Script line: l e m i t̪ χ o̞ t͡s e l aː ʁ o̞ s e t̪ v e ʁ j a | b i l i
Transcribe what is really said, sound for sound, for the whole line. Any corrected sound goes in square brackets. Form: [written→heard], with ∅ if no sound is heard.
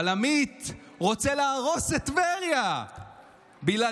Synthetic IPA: l [e→a] m i t̪ [χ→ʁ] o̞ t͡s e l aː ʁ o̞ s e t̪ v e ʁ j a | b i l [i→a]

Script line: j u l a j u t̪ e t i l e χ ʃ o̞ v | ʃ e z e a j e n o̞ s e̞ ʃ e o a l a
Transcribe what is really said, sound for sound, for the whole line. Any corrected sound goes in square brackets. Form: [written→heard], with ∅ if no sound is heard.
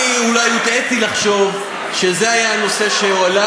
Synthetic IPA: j u l a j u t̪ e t i l [e→a] χ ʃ o̞ v | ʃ e z e a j [e→a] n o̞ s e̞ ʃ e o a l a

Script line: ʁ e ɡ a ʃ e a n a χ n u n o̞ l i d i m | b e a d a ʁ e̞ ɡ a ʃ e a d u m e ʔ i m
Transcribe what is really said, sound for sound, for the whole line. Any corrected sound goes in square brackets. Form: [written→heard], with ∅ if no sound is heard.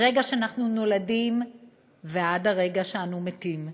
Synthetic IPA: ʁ e ɡ a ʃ e a n a χ n u n o̞ l [i→a] d i m | [b→v] e a d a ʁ e̞ ɡ a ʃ e a [d→n] u m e [ʔ→t] i m

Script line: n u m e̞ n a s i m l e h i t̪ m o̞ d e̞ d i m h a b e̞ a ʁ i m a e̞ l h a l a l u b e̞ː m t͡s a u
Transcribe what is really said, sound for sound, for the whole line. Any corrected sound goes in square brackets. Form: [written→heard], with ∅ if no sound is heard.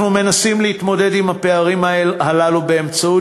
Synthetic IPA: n u m e̞ n a s i m l e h i t̪ m o̞ d e̞ d i m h a [b→p] e̞ a ʁ i m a e̞ l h a l a l u b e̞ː m t͡s a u

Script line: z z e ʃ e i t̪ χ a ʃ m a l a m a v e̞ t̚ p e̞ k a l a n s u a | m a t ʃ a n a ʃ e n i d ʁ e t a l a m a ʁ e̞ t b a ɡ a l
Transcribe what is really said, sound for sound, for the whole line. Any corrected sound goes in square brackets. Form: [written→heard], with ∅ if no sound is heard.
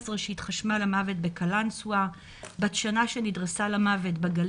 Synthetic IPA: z [z→ʁ] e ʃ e i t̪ χ a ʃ m a l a m a v e̞ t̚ [p→b] e̞ k a l a n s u a | [m→b] a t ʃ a n a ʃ e n i d ʁ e [t→s] a l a m a [ʁ→v] e̞ t b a ɡ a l

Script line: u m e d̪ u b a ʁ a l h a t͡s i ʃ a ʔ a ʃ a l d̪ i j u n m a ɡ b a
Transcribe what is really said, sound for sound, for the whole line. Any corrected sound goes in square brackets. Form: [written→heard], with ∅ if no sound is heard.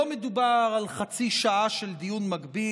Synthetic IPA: [u→o] m e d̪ u b a ʁ a l [h→χ] a t͡s i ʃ a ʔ a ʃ [a→e] l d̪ i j u n m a ɡ b [a→i]

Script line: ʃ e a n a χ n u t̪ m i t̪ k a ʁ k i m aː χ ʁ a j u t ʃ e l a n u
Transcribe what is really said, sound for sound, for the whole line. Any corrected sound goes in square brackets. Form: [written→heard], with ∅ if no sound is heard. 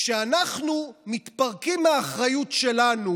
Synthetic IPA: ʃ e a n a χ n u [t̪→∅] m i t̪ [k→p] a ʁ k i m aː χ ʁ a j u t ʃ e l a n u

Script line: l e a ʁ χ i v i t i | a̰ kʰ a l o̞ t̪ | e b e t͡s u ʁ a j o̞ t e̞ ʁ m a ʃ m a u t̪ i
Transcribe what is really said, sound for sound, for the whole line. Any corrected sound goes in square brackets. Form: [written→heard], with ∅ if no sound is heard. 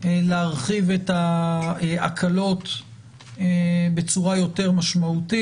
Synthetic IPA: l e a ʁ χ i v [i→e] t [i→a] | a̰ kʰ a l o̞ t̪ | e b e t͡s u ʁ a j o̞ t e̞ ʁ m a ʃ m a u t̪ i

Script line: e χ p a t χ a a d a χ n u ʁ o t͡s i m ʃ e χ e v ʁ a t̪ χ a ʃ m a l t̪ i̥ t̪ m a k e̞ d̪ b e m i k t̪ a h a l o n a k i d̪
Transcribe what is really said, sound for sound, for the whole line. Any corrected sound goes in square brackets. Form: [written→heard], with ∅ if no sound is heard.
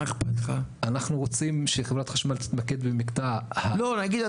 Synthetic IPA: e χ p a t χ a a [d→n] a χ n u ʁ o t͡s i m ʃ e χ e v ʁ a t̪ χ a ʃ m a l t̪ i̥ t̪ m a k e̞ d̪ b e m i k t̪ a h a l o n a [k→ɡ] i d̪

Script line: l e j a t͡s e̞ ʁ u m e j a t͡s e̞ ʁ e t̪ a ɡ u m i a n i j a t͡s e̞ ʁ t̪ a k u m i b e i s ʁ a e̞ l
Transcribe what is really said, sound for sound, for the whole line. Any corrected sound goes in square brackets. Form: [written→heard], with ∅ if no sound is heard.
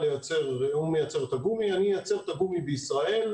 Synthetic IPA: l e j a t͡s e̞ ʁ u m e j a t͡s e̞ ʁ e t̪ a ɡ u m i a n i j a t͡s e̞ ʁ t̪ a [k→ɡ] u m i b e i s ʁ a e̞ l

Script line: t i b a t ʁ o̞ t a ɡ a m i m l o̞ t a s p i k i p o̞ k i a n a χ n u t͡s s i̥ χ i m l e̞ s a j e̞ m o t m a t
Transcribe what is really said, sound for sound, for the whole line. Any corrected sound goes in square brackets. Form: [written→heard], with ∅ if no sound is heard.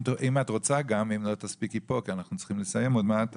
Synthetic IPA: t i [b→m] a t ʁ o̞ [t→t͡s] a ɡ a m i m l o̞ t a s p i k i p o̞ k i a n a χ n u t͡s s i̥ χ i m l e̞ s a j e̞ m o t m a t

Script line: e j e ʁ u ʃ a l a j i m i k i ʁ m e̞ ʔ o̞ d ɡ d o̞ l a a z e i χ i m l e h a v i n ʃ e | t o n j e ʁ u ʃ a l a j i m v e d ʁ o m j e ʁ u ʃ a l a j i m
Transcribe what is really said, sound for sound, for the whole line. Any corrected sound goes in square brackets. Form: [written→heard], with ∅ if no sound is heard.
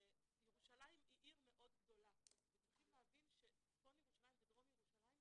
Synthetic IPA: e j e ʁ u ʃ a l a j i m i [k→ʔ] i ʁ m e̞ ʔ o̞ d ɡ d o̞ l a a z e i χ i m l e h a v i n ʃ e | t o n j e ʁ u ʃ a l a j i m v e d ʁ o m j e ʁ u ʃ a l a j i m

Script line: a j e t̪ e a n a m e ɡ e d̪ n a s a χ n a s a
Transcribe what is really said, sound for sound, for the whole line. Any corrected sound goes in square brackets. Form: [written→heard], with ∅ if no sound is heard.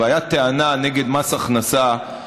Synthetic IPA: a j [e→a] t̪ e a n a [m→n] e ɡ e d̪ [n→m] a s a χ n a s a

